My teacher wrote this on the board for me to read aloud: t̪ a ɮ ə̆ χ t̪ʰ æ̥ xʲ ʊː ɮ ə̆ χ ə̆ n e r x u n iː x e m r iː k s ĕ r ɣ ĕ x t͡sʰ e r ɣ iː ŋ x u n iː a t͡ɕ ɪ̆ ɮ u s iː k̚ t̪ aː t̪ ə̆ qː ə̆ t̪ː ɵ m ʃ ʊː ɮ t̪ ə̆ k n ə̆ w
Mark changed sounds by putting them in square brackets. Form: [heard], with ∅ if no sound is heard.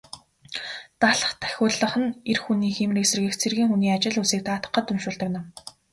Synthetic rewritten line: t̪ a ɮ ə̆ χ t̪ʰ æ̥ xʲ ʊː ɮ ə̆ χ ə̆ n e r x u n iː x e m r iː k s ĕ r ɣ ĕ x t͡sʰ e r ɣ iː ŋ x u n iː a t͡ɕ ɪ̆ ɮ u s iː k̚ t̪ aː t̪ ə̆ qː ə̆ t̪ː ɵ m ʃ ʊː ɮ t̪ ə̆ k n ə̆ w